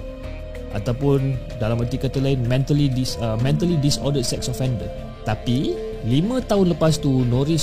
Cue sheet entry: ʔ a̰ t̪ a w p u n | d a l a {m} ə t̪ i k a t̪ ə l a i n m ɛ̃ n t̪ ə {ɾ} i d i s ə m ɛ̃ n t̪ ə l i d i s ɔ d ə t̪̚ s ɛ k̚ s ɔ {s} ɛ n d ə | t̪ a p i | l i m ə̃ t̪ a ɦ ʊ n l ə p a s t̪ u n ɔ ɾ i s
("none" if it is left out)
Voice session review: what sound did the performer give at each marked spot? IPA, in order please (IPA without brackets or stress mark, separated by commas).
m, l, f